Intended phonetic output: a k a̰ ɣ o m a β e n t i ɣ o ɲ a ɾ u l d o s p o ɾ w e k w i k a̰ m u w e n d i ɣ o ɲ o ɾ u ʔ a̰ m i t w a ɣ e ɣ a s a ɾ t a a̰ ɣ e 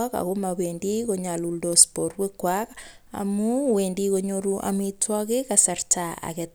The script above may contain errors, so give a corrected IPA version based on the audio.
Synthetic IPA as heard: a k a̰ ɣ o m a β e n d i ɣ o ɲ a l u l d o s p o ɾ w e k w a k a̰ m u w e n d i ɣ o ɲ o ɾ u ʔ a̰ m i t w a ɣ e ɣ a s a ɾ t a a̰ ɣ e